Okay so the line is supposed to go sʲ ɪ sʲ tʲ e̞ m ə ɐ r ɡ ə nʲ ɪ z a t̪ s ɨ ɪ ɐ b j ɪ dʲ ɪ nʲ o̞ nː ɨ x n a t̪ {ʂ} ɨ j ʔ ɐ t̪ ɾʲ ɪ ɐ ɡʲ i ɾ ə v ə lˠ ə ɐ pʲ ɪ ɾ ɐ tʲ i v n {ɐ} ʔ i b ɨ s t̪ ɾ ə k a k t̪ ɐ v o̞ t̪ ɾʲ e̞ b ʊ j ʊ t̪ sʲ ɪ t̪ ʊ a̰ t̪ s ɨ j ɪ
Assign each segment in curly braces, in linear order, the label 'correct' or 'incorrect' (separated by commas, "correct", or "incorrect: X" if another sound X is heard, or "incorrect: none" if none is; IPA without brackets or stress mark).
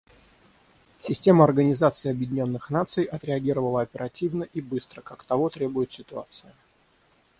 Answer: incorrect: s, incorrect: ə